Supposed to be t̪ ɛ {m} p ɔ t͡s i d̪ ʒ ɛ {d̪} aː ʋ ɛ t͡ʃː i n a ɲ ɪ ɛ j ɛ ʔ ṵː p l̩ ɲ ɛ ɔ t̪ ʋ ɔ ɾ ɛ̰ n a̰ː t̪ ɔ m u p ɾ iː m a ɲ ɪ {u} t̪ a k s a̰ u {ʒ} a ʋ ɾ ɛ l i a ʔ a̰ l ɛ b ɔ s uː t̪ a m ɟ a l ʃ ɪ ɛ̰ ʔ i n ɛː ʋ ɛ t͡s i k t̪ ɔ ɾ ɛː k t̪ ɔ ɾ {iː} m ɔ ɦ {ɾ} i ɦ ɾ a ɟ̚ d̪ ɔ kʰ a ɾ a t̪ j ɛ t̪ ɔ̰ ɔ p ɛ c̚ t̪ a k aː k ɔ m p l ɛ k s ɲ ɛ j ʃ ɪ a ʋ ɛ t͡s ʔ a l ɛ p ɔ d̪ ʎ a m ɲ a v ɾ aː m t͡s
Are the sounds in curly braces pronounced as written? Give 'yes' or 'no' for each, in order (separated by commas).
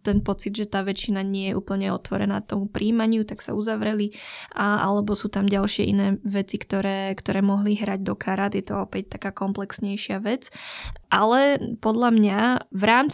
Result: no, no, yes, no, no, no